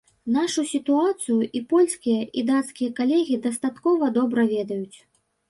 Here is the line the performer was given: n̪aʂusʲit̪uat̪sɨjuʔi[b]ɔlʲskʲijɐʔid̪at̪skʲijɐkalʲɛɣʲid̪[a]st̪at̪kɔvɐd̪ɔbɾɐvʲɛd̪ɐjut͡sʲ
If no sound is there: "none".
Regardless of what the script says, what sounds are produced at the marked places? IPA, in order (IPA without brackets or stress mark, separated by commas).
p, ɐ